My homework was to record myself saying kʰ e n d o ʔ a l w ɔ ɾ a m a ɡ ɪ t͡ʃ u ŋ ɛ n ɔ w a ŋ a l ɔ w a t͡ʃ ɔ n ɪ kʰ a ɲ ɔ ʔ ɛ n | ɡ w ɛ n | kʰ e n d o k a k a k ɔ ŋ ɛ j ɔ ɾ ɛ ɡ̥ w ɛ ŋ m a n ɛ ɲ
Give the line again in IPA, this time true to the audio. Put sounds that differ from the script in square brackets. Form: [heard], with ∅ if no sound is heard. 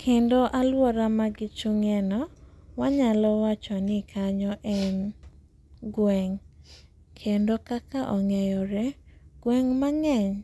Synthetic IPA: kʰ e n d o ʔ a l w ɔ ɾ a m a ɡ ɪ t͡ʃ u ŋ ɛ n ɔ w a [ɲ] a l ɔ w a t͡ʃ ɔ n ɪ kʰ a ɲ ɔ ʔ ɛ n | ɡ w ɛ [ŋ] | kʰ e n d o k a k a [ʔ] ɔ ŋ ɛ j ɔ ɾ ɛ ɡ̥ w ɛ ŋ m a [ŋ] ɛ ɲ